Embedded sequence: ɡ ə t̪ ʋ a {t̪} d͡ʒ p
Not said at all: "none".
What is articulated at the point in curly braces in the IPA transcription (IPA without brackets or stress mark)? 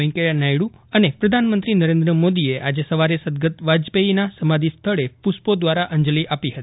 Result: none